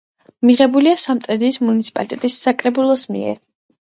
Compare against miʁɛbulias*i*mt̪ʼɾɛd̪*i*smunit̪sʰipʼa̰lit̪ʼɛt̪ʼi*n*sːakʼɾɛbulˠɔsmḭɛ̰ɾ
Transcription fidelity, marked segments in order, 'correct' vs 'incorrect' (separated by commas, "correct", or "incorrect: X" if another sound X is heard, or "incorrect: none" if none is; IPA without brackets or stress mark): incorrect: a, incorrect: iː, incorrect: none